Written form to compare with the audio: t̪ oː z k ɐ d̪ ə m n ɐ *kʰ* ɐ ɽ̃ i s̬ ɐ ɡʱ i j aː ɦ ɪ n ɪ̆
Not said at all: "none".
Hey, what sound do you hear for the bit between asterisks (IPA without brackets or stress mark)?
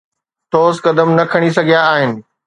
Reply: kʰ